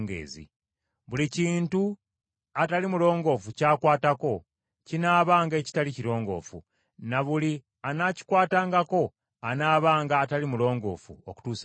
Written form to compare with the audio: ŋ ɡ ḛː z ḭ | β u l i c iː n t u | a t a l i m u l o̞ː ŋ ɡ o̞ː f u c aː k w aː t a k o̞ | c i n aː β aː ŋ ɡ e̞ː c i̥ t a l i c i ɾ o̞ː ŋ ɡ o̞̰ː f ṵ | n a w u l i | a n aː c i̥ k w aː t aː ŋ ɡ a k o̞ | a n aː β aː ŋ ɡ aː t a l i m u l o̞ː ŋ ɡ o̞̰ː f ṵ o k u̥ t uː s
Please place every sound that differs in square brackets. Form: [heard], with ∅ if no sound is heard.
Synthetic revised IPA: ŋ ɡ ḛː z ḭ | β u l i c iː n t u | a t a l i m u l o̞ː ŋ ɡ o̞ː f u c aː k w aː t a k o̞ | c i n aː β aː ŋ ɡ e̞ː c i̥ t a l i c i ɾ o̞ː ŋ ɡ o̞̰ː f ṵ | n a [β] u l i | a n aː c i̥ k w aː t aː ŋ ɡ a k o̞ | a n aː β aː ŋ ɡ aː t a l i m u l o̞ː ŋ ɡ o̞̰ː f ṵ o k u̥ t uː s